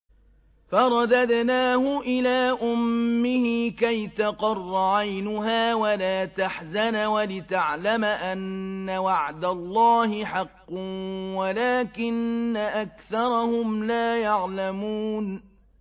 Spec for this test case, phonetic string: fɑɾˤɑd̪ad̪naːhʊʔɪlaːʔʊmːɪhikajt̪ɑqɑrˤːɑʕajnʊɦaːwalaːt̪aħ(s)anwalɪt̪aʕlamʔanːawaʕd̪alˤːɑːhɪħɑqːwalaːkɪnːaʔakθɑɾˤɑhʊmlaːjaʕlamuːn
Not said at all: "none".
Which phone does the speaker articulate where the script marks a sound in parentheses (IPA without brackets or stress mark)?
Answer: z